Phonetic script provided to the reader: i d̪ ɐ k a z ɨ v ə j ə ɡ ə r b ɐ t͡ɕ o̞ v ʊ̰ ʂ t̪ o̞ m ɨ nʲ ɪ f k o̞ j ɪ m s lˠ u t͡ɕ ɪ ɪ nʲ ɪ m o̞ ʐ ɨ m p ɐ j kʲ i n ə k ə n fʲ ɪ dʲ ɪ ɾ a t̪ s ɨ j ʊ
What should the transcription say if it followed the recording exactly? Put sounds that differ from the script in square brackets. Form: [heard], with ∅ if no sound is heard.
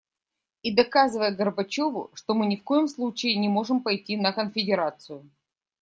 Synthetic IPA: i d̪ ɐ k a z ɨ v ə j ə ɡ ə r b ɐ t͡ɕ o̞ v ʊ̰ ʂ t̪ o̞ m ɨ nʲ ɪ f k o̞ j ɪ m s lˠ u t͡ɕ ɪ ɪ nʲ ɪ m o̞ ʐ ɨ m p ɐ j [tʲ] i n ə k ə n fʲ ɪ dʲ ɪ ɾ a t̪ s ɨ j ʊ